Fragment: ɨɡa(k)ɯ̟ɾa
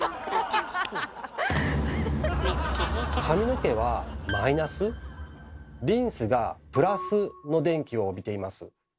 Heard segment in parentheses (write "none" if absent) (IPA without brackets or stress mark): p